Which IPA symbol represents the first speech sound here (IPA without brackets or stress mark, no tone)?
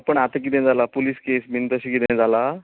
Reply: p